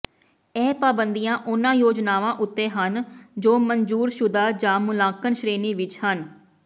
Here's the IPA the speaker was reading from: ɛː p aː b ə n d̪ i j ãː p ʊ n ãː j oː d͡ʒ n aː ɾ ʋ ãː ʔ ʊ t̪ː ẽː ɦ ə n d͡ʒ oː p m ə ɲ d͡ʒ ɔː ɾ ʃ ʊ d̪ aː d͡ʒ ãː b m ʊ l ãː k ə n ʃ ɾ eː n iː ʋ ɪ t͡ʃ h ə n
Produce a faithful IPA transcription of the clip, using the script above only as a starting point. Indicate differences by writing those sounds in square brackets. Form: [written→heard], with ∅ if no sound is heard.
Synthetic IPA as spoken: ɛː p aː b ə n d̪ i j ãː [p→ʔ] ʊ n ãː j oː d͡ʒ n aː [ɾ→∅] ʋ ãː ʔ ʊ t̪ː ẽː ɦ ə n d͡ʒ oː [p→∅] m ə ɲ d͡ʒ [ɔː→uː] ɾ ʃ ʊ d̪ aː d͡ʒ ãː [b→∅] m ʊ l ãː k ə n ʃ ɾ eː n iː ʋ ɪ t͡ʃ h ə n

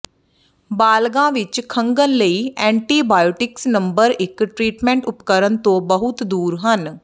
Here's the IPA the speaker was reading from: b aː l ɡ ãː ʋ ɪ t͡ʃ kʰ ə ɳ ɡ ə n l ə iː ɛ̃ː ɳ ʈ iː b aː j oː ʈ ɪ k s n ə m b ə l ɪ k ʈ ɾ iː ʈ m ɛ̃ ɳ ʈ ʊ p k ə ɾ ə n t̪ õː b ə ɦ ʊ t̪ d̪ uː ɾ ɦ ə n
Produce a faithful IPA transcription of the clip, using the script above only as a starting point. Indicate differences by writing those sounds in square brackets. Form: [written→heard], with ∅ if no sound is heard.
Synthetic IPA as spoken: b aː l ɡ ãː ʋ ɪ t͡ʃ kʰ ə [ɳ→ŋ] ɡ ə n l ə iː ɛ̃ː ɳ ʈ iː b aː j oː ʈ ɪ k s n ə m b ə [l→ɾ] ɪ k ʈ ɾ iː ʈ m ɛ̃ ɳ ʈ ʊ p k ə ɾ ə n t̪ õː b ə ɦ ʊ t̪ d̪ uː ɾ ɦ ə n

